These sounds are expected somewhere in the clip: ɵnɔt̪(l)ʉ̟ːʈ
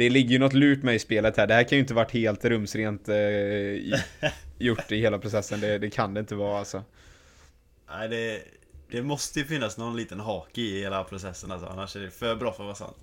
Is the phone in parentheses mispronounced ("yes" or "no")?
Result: no